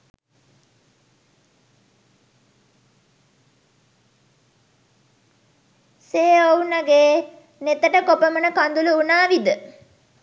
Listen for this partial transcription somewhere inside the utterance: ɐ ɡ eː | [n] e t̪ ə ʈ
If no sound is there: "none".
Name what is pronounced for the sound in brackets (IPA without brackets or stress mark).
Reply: n